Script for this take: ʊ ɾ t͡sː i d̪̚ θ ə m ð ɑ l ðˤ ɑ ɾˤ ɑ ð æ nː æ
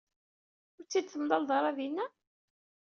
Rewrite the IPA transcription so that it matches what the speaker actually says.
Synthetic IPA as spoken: ʊ ɾ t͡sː i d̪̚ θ ə m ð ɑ l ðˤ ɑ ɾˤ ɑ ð i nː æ